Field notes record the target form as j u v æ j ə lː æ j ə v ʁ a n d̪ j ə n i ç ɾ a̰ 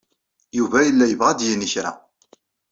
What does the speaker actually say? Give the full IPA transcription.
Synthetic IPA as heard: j u v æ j ə lː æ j ə v ʁ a d̪ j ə n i ç ɾ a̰